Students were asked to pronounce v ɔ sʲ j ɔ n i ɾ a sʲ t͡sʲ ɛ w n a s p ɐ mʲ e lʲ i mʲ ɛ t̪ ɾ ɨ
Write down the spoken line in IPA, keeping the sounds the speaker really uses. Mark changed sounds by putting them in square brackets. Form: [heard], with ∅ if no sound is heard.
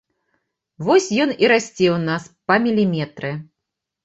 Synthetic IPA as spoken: v ɔ sʲ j ɔ n i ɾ a sʲ t͡sʲ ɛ w n a s p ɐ mʲ [i] lʲ i mʲ ɛ t̪ ɾ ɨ